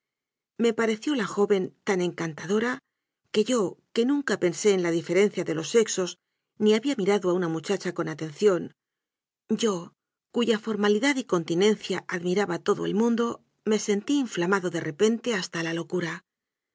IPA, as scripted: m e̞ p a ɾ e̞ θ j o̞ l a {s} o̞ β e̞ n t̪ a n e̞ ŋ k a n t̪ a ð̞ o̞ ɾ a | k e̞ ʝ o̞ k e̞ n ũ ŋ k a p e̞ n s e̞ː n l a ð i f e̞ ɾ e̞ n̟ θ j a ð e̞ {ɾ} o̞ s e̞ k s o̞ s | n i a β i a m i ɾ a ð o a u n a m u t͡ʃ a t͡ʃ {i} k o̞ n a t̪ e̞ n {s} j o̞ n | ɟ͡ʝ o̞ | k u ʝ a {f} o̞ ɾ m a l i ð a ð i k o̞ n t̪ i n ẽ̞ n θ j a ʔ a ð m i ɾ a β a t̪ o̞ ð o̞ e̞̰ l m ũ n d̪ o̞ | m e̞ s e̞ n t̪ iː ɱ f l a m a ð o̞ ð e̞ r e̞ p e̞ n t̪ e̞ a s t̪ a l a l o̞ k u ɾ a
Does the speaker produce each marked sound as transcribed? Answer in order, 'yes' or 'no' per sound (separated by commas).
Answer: no, no, no, no, yes